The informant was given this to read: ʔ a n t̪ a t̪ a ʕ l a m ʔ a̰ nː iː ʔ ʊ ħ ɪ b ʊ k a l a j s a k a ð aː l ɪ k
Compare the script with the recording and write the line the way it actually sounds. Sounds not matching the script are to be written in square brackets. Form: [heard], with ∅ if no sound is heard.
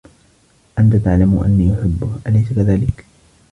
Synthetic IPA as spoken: ʔ a n t̪ a t̪ a ʕ l a m ʔ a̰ nː iː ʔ ʊ ħ ɪ [bː] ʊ [ʔ] a l a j s a k a ð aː l ɪ k